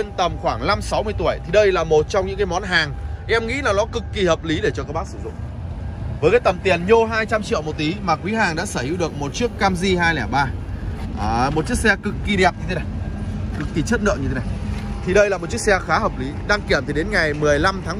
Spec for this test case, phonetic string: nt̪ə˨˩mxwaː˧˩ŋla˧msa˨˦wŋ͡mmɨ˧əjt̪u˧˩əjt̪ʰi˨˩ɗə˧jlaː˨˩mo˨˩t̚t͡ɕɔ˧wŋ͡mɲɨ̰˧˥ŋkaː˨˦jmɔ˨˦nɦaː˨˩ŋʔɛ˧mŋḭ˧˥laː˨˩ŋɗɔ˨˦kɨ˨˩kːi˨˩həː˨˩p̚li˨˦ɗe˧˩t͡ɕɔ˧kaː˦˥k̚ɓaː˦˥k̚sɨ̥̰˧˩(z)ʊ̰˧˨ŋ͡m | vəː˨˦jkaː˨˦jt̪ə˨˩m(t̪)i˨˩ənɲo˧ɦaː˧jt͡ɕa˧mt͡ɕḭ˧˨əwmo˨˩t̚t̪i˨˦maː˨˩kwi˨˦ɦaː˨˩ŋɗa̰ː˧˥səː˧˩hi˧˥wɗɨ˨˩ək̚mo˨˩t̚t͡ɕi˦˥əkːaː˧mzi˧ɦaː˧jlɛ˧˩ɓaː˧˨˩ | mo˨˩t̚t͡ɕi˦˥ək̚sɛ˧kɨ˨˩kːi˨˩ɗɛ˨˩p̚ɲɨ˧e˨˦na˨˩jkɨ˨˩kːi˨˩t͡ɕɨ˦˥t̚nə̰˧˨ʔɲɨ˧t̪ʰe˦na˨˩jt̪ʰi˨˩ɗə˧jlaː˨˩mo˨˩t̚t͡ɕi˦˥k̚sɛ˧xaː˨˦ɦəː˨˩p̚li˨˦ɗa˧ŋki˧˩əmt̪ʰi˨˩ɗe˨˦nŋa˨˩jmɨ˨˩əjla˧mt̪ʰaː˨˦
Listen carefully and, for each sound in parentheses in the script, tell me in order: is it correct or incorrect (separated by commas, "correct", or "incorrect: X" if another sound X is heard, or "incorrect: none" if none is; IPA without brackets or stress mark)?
correct, correct